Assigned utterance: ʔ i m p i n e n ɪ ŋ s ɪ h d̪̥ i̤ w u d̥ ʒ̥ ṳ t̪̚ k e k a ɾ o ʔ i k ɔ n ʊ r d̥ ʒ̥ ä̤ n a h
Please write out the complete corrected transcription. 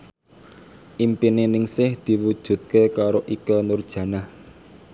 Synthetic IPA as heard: ʔ i m p i n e n ɪ ŋ s ɪ h d̪̥ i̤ w u d̥ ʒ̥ ṳ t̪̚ k e k a ɾ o ʔ i k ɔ n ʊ r d̥ ʒ̥ ä̤ n a h